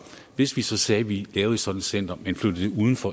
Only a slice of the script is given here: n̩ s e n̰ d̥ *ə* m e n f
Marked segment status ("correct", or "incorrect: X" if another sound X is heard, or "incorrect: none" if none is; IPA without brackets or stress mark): incorrect: ɐ